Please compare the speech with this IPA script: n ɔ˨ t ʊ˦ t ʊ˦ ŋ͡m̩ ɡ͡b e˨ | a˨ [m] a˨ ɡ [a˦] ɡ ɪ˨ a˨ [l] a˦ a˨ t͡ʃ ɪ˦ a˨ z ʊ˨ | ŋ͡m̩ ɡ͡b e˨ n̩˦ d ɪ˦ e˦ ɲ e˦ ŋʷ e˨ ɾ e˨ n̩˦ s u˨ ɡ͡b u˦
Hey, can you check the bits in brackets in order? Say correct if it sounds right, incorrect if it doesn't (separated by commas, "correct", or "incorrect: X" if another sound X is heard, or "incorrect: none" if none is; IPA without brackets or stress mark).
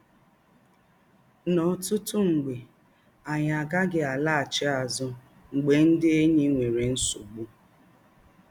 incorrect: ɲ, correct, correct